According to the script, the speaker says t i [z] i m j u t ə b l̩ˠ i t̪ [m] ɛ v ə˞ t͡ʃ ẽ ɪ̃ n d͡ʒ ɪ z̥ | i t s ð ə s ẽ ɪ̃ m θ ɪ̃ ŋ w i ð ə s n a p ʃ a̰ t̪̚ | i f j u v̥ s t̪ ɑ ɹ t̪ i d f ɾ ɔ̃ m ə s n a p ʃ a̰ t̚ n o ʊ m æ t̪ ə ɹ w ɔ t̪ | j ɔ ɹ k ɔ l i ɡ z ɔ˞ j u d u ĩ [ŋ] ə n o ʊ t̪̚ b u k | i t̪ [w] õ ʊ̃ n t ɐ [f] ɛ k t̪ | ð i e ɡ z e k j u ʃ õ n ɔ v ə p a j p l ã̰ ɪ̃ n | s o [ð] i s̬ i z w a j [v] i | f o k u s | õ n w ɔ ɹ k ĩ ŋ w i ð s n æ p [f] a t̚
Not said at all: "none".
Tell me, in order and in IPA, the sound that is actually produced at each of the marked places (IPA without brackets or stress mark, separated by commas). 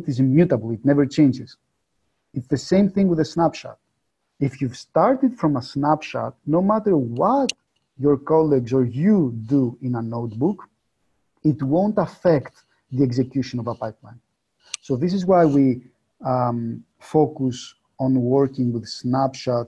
z, n, n, w, f, ð, w, ʃ